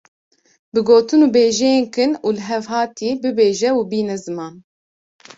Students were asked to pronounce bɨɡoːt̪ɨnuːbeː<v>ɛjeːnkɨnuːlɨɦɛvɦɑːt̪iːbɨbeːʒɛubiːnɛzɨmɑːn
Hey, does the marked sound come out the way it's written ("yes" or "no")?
no